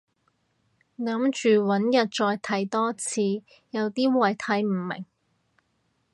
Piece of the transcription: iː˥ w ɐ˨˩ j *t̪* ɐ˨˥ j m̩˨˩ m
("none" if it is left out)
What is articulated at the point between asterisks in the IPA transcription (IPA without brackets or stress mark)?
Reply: t̪ʰ